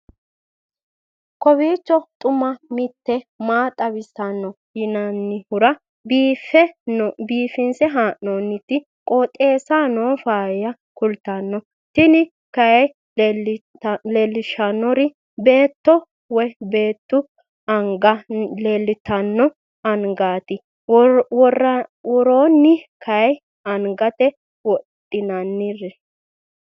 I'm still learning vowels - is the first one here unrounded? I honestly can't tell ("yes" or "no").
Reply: no